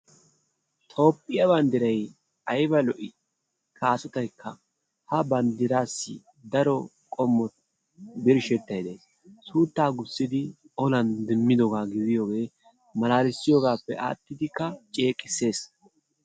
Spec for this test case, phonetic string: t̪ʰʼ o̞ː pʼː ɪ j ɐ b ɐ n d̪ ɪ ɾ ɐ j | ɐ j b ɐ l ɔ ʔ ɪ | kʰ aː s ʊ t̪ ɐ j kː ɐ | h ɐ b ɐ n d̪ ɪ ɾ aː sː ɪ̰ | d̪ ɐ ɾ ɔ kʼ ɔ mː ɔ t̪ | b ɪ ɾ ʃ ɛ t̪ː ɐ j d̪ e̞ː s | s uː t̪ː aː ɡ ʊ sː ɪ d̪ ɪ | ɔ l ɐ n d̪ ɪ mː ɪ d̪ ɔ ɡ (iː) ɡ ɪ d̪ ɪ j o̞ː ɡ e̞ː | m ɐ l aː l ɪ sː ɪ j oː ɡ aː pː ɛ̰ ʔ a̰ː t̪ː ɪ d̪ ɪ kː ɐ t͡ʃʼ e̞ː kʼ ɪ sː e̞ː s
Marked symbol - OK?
no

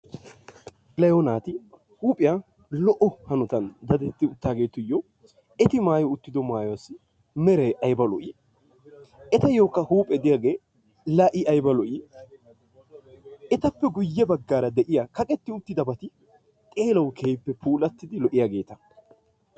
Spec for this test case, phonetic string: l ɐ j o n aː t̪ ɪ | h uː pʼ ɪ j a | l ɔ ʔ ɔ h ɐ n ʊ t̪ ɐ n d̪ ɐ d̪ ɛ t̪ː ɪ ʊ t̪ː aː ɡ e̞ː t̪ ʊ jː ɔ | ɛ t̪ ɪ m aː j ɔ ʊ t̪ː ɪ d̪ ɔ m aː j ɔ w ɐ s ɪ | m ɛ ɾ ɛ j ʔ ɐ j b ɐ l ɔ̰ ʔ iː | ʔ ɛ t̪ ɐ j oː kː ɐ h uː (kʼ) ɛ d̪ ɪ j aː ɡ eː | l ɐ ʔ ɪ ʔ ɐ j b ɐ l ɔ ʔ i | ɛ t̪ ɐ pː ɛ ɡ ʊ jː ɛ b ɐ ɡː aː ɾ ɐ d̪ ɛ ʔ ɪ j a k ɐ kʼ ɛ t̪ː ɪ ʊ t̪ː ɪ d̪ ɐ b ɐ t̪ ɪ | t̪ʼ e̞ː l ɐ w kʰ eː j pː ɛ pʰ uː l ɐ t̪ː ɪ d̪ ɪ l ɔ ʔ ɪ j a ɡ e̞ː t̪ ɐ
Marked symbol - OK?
no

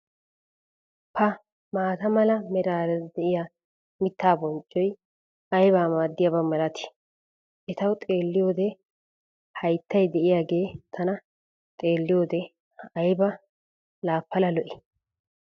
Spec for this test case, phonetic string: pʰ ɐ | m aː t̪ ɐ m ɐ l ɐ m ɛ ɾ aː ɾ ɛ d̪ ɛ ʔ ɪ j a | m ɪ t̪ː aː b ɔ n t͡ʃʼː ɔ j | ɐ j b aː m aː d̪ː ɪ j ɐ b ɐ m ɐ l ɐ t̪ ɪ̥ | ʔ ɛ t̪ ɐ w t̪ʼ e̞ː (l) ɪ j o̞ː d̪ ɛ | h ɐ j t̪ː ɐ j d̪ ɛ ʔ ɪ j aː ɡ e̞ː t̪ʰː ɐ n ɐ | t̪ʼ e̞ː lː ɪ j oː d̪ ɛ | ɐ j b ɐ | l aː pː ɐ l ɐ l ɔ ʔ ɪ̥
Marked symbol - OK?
no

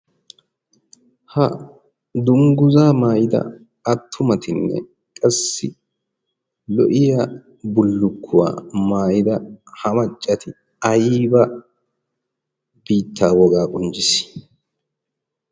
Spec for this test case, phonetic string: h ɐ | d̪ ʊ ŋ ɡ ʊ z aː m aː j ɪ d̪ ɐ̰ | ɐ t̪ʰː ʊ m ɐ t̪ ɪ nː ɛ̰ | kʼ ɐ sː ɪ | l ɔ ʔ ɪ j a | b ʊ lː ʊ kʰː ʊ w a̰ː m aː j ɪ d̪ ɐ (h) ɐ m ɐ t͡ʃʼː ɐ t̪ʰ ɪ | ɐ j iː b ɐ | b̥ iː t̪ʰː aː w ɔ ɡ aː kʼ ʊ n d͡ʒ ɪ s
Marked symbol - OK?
yes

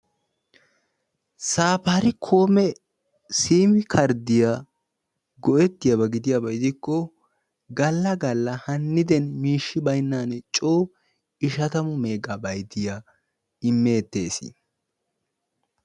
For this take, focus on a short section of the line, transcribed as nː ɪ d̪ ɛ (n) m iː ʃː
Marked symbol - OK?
yes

